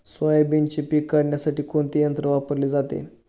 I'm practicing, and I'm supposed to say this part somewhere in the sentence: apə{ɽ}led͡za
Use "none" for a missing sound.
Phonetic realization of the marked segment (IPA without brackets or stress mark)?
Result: ɾ